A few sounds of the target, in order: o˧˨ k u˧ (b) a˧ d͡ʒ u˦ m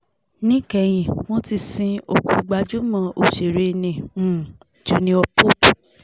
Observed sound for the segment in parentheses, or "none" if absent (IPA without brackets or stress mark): ɡ͡b